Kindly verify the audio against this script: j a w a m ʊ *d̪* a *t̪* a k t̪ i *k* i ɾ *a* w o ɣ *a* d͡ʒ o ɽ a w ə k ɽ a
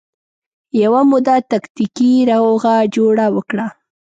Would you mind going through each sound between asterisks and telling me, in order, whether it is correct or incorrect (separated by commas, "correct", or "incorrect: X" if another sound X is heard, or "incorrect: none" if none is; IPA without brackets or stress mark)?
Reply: correct, correct, correct, correct, correct